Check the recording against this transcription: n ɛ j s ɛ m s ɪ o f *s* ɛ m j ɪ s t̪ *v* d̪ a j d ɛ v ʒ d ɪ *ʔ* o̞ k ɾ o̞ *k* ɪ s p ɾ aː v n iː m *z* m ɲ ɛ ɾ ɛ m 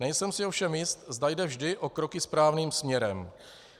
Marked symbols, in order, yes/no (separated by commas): no, no, yes, yes, no